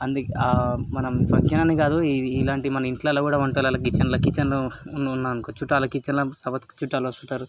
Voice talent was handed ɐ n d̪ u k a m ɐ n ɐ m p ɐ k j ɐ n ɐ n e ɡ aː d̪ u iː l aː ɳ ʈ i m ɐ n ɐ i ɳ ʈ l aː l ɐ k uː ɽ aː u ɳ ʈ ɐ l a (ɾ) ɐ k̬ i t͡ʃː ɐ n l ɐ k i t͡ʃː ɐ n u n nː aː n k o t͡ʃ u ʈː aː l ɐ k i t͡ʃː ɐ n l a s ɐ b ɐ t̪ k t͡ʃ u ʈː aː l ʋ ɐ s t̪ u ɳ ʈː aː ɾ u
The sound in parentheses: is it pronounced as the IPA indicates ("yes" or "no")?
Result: no